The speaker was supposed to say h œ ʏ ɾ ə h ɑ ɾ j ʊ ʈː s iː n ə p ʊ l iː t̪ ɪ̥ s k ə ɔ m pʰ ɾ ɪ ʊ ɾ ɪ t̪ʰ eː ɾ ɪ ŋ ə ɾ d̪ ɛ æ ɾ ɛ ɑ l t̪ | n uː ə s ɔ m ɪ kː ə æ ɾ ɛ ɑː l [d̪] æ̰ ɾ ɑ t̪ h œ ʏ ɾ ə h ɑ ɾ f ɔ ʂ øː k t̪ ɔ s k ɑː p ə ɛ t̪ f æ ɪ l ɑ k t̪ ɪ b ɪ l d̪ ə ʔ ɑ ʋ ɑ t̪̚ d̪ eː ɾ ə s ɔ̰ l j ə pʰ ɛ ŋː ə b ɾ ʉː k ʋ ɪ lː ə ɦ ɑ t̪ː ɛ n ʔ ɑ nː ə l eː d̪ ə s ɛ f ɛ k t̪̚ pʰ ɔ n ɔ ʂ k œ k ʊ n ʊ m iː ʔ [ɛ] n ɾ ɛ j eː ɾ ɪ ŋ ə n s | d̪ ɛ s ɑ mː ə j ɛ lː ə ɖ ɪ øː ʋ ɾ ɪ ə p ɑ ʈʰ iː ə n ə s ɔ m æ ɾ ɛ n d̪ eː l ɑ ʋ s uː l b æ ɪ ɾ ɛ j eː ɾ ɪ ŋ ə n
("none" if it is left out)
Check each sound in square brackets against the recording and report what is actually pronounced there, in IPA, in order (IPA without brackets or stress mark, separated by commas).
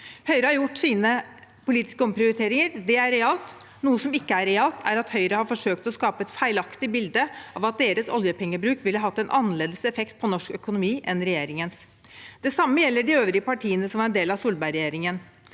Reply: t̪, ɛ